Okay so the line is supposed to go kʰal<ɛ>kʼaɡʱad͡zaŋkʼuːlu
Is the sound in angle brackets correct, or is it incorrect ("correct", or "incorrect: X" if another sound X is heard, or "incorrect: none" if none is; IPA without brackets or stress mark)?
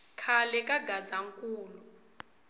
correct